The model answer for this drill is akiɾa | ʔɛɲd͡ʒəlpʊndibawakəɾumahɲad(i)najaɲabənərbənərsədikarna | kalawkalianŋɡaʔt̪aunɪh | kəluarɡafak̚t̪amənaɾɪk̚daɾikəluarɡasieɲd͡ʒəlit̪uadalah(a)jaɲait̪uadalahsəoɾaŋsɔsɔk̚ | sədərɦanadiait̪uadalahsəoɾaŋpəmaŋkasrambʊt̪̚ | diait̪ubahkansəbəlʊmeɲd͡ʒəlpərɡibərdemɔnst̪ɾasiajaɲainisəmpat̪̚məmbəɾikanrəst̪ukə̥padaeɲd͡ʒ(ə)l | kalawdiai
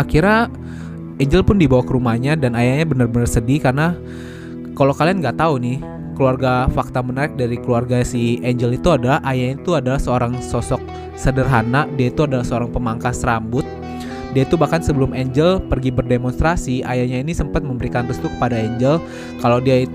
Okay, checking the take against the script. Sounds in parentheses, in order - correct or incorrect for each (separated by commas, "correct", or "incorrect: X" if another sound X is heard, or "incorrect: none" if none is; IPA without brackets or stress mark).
incorrect: a, correct, correct